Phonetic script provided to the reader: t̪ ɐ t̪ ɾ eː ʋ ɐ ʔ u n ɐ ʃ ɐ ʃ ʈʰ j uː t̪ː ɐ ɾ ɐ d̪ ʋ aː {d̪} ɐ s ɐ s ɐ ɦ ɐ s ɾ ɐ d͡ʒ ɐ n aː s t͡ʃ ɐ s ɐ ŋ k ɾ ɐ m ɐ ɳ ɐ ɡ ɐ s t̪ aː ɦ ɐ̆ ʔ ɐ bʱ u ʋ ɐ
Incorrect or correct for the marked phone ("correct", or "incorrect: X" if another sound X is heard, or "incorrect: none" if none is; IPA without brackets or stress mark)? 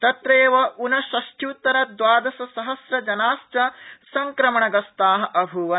correct